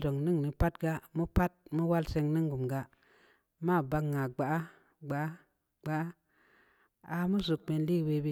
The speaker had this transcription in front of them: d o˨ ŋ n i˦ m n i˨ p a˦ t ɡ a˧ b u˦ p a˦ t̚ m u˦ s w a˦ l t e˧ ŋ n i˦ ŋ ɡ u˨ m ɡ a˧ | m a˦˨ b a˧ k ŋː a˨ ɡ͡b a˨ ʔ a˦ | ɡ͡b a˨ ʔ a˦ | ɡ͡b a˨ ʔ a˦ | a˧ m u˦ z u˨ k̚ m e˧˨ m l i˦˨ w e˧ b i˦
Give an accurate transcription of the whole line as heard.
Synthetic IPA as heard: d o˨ ŋ n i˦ ŋ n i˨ p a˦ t ɡ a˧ m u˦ p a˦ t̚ m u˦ w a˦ l s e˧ ŋ n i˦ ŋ ɡ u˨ m ɡ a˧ | m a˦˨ b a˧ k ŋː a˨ ɡ͡b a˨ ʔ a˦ | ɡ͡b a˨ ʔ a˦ | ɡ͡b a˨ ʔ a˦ | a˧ m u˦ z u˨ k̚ m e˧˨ n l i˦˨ w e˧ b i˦